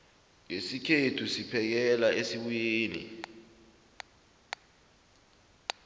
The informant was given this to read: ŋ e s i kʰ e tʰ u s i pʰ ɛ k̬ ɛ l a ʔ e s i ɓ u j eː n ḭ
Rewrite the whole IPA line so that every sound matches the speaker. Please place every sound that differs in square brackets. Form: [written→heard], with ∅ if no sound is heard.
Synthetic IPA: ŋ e s i kʰ e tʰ u s i pʰ ɛ k̬ ɛ l a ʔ e s i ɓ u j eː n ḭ